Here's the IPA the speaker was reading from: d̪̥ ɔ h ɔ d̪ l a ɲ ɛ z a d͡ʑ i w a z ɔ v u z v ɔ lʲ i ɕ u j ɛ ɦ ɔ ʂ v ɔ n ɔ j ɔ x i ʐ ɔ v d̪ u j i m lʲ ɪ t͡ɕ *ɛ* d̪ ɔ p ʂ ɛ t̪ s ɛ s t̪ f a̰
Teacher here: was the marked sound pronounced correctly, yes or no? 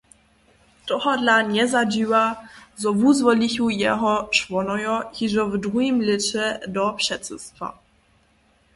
yes